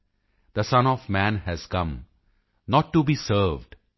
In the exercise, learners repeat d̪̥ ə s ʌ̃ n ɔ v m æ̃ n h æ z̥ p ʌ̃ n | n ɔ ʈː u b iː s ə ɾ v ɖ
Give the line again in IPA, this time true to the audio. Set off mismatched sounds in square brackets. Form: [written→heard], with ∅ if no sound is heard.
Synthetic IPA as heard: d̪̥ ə s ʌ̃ n ɔ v m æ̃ n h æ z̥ [p→k] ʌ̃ [n→m] | n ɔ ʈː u b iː s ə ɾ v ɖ

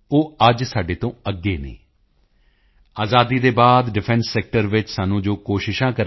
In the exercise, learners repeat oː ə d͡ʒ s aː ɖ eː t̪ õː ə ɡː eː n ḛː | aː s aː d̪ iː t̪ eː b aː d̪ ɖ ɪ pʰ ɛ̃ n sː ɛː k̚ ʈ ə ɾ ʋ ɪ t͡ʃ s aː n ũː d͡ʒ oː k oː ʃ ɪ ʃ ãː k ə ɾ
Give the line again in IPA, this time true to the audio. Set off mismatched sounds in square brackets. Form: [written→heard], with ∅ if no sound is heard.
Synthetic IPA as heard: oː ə d͡ʒ s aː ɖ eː t̪ õː ə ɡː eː n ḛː | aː [s→z] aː d̪ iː [t̪→d̪] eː b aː d̪ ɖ ɪ pʰ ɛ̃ n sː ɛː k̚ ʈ ə ɾ ʋ ɪ t͡ʃ s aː n ũː d͡ʒ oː k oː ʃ ɪ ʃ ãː k ə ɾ

